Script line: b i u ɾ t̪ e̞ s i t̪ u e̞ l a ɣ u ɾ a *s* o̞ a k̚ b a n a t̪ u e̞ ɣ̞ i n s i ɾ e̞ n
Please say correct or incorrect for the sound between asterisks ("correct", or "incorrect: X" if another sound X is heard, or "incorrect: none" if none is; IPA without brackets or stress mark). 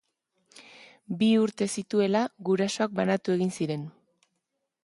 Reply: correct